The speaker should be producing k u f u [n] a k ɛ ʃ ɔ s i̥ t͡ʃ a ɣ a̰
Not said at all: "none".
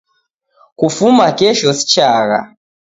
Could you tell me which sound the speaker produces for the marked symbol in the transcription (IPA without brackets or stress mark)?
m